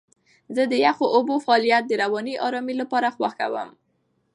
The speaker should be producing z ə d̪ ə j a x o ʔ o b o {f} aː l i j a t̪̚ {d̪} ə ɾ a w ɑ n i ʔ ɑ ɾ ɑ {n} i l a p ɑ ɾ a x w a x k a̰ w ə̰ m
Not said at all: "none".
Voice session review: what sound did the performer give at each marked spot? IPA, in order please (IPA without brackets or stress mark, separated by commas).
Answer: f, d̪, m